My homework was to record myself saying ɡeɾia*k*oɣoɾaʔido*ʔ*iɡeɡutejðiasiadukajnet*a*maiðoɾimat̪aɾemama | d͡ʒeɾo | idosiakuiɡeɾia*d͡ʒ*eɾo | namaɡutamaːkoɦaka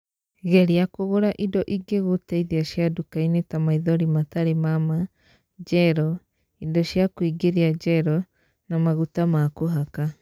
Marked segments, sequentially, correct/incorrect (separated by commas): correct, correct, correct, correct